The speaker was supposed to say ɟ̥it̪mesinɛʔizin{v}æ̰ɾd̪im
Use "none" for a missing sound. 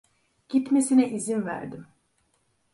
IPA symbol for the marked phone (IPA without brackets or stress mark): v